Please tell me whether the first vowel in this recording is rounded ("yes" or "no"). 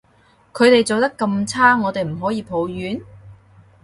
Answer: yes